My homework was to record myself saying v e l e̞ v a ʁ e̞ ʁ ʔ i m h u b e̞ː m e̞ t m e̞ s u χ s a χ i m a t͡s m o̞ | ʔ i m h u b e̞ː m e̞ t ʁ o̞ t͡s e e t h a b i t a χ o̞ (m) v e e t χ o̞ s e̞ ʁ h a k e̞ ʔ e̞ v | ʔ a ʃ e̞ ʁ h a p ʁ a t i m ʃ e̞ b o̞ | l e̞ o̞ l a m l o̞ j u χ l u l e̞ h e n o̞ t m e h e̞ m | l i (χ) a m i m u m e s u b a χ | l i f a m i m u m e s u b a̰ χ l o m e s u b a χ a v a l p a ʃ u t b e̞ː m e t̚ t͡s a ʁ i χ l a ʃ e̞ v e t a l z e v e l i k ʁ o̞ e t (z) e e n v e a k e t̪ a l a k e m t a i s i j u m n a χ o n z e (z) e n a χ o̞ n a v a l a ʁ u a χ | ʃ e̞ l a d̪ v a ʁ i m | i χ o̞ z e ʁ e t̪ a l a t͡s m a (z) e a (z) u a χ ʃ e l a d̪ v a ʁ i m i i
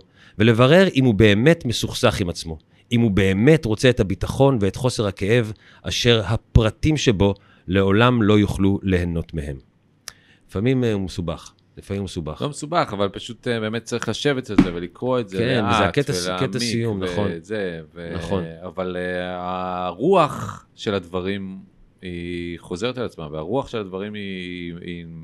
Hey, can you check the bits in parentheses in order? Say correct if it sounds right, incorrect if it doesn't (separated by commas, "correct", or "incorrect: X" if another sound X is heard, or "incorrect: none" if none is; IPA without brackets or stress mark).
incorrect: n, incorrect: f, correct, incorrect: v, incorrect: v, incorrect: ʁ